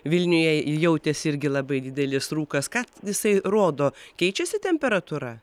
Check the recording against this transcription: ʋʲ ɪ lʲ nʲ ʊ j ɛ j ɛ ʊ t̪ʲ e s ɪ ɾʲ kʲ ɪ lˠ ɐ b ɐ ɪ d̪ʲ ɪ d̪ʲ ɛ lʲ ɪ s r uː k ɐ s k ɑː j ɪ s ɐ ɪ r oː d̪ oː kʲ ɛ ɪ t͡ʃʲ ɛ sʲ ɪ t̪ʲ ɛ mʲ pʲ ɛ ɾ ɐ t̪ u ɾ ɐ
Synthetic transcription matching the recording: ʋʲ ɪ lʲ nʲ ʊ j ɛ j ɛ ʊ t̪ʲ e s ɪ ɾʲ ɡʲ ɪ lˠ ɐ b ɐ ɪ d̪ʲ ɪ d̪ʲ ɛ lʲ ɪ s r uː k ɐ s k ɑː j ɪ s ɐ ɪ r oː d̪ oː kʲ ɛ ɪ t͡ʃʲ ɛ sʲ ɪ t̪ʲ ɛ mʲ pʲ ɛ ɾ ɐ t̪ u ɾ ɐ